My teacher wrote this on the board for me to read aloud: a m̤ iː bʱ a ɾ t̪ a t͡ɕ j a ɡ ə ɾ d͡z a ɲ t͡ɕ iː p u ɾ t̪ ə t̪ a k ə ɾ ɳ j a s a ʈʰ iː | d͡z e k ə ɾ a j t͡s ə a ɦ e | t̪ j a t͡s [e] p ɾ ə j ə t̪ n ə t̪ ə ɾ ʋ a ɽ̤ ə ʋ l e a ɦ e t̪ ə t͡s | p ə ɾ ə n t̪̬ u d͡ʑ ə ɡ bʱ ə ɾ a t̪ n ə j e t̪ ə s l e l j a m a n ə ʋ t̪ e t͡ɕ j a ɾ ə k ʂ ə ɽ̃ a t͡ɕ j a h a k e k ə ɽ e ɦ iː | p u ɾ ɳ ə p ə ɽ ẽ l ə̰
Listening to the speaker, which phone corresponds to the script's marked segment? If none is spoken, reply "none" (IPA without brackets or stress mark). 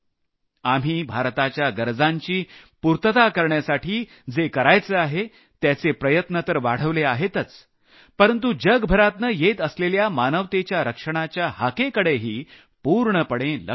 e